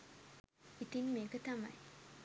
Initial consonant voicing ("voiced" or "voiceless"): voiceless